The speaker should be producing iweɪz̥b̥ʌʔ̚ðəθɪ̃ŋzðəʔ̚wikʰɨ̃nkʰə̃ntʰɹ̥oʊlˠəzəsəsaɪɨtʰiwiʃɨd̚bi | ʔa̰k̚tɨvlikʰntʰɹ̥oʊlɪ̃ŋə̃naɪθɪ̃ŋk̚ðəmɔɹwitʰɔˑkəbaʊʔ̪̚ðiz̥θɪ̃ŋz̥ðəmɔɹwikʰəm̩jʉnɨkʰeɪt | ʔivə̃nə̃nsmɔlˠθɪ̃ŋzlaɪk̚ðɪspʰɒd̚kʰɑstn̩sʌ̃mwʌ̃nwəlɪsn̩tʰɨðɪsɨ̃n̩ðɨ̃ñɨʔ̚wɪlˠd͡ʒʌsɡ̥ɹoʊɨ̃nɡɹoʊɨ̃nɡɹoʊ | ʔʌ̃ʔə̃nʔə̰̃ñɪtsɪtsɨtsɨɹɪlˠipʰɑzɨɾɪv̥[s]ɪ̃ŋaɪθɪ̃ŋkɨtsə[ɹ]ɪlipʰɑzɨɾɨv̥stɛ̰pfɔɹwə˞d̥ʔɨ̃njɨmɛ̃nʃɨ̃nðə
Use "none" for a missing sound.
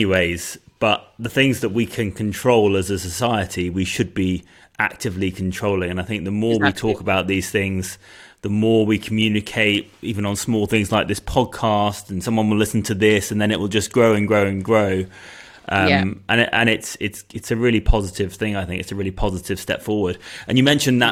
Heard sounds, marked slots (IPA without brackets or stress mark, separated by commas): θ, ɹ